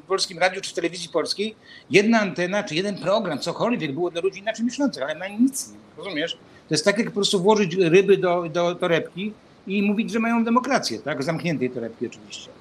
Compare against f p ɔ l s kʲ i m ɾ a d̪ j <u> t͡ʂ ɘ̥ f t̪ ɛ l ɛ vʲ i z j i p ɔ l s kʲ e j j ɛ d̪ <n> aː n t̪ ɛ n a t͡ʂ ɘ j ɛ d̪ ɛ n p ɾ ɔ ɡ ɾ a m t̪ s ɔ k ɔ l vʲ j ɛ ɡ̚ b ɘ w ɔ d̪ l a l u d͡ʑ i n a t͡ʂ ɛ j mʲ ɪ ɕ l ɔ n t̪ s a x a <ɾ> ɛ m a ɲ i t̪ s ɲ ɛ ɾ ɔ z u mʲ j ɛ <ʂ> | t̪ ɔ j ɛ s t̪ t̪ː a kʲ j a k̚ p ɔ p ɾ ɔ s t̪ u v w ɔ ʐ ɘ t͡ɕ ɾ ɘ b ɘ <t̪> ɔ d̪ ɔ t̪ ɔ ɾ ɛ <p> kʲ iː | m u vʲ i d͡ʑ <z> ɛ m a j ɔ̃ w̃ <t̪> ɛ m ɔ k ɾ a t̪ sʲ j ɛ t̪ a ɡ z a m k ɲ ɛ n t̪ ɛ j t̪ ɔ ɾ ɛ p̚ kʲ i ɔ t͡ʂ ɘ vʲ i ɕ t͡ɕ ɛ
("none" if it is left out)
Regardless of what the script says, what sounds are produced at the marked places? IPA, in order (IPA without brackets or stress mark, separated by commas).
u, n, l, ʂ, d̪, p, ʐ, d̪